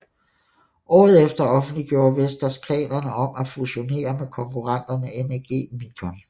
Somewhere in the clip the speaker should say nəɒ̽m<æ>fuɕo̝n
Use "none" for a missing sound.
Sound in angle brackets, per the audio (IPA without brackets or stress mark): æ